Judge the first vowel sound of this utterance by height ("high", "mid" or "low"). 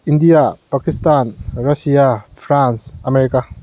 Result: high